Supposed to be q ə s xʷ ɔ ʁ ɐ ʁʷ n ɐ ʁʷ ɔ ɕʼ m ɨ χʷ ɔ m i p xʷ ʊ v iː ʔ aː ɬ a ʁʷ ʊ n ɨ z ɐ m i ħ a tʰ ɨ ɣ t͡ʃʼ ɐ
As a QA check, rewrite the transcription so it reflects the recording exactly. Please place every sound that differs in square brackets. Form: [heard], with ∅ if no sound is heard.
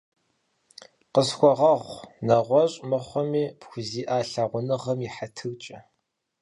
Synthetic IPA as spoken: q ə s xʷ ɔ ʁ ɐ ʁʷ n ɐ ʁʷ ɔ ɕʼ m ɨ χʷ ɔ m [iː] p xʷ ʊ [z] iː ʔ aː ɬ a ʁʷ ʊ n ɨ [ʁ] ɐ m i ħ a tʰ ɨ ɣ t͡ʃʼ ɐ